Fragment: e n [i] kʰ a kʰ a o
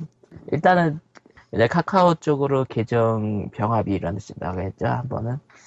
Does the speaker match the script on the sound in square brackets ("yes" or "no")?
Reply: no